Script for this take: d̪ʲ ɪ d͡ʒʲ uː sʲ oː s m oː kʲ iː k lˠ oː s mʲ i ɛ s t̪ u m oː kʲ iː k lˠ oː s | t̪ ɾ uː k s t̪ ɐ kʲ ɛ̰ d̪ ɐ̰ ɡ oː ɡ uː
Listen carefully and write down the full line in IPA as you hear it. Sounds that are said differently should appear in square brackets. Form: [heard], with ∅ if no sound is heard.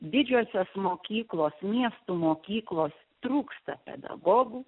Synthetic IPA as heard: d̪ʲ ɪ d͡ʒʲ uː sʲ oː s m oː kʲ iː k lˠ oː s mʲ i ɛ s t̪ u m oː kʲ iː k lˠ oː s | t̪ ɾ uː k s t̪ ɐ [pʲ] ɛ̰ d̪ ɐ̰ ɡ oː ɡ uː